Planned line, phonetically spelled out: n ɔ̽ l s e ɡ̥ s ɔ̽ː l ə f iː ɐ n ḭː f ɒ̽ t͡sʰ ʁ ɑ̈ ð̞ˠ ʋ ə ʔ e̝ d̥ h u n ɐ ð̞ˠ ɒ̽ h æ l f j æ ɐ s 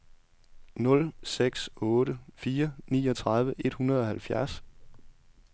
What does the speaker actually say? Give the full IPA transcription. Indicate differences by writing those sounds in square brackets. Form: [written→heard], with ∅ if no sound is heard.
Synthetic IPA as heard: n ɔ̽ l s e ɡ̥ s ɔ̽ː [l→ɾ] ə f iː ɐ n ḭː [f→∅] ɒ̽ t͡sʰ ʁ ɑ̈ ð̞ˠ ʋ ə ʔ e̝ d̥ h u n ɐ ð̞ˠ ɒ̽ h æ l f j æ ɐ s

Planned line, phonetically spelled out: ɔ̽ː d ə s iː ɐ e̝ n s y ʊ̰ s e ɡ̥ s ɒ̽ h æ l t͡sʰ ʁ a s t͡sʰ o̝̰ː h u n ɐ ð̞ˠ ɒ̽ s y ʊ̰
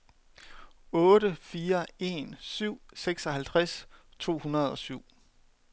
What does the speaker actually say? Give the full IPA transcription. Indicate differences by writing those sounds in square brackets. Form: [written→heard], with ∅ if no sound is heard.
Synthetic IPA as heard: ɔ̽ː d ə [s→f] iː ɐ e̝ n s y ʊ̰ s e ɡ̥ s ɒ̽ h æ l t͡sʰ ʁ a s t͡sʰ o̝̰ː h u n ɐ ð̞ˠ ɒ̽ s y ʊ̰

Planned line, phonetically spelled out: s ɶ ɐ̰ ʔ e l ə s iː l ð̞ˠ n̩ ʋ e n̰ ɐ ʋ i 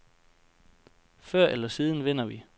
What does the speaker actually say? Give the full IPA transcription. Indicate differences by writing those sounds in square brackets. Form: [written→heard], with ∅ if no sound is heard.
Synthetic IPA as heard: [s→f] ɶ ɐ̰ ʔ e l [ə→ɐ] s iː [l→∅] ð̞ˠ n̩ ʋ e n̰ ɐ ʋ i

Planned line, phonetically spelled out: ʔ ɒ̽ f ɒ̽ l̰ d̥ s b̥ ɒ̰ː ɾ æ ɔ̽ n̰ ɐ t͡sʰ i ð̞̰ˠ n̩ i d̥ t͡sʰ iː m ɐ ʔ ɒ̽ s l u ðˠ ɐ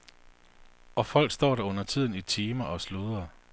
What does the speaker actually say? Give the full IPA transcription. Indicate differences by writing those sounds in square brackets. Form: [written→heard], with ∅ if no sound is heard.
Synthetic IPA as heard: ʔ ɒ̽ f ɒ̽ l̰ [d̥→ɡ̥] s [b̥→d̥] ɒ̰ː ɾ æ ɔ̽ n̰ ɐ t͡sʰ i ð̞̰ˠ n̩ i [d̥→∅] t͡sʰ iː m ɐ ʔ ɒ̽ s l u ðˠ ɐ

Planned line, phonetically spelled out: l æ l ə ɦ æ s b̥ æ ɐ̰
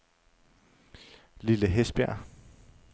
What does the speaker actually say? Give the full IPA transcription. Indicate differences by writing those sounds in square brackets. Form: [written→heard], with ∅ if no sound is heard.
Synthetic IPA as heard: l [æ→i] l ə ɦ [æ→e] s b̥ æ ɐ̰

